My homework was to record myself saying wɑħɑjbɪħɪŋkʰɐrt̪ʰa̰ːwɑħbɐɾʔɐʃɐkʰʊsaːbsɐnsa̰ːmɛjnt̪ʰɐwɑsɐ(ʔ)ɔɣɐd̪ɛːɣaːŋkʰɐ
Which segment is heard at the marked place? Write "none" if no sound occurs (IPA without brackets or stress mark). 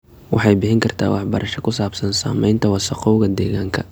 q